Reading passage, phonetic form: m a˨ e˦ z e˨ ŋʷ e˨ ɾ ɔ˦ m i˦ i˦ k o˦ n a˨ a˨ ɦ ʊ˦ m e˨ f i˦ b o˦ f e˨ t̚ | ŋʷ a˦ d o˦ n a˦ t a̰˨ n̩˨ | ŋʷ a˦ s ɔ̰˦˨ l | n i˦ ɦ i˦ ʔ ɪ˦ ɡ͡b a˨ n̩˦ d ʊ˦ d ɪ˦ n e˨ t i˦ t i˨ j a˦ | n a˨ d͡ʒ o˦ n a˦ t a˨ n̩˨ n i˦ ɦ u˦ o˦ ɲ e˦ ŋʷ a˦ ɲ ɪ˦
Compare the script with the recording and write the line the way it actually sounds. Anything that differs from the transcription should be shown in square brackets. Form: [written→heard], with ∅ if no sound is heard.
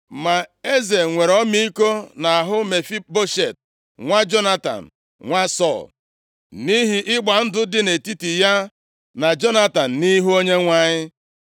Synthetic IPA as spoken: m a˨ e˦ z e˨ ŋʷ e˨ ɾ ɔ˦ m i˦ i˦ k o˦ n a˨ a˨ ɦ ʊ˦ m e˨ f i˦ b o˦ [f→ʃ] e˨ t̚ | ŋʷ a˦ [d→d͡ʒ] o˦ n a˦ t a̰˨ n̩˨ | ŋʷ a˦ s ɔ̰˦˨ l | n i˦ ɦ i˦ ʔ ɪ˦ ɡ͡b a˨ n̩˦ d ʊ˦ d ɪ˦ n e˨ t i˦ t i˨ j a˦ | n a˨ d͡ʒ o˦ n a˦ t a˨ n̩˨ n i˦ ɦ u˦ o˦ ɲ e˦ ŋʷ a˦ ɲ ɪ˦